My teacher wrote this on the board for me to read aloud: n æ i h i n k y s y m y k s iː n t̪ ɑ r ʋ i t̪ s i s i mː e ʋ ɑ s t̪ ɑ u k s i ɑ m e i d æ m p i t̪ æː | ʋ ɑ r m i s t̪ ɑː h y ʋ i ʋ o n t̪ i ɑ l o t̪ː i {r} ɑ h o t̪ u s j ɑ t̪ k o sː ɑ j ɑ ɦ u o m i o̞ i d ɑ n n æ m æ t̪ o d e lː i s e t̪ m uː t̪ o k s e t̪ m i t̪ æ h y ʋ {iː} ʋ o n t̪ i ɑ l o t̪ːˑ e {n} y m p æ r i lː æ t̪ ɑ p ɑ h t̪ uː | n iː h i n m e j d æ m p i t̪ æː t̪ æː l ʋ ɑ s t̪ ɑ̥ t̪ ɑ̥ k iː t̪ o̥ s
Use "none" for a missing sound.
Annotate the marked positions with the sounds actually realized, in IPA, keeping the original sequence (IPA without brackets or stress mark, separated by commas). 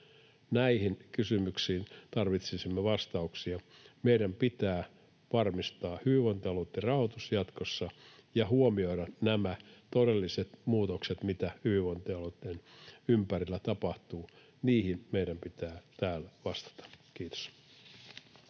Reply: r, i, n